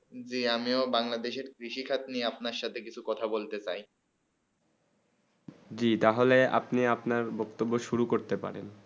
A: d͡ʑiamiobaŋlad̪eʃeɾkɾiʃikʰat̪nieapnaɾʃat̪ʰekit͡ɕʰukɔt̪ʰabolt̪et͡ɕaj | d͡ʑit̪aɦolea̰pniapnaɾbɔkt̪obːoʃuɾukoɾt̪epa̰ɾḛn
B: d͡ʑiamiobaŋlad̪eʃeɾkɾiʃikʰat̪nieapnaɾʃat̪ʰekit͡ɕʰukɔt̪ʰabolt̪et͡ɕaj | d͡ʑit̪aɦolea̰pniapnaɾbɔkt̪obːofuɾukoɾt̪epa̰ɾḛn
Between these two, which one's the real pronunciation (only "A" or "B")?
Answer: A